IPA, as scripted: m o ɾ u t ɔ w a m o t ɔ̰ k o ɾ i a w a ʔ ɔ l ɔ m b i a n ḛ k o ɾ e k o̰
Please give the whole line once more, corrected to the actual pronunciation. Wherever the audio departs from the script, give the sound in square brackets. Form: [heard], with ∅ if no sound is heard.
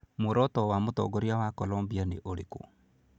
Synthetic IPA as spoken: m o ɾ [ɔ] t ɔ w a m o t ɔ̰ [ɡ] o ɾ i a w a [k] ɔ l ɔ m b i a n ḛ [ʔ] o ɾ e k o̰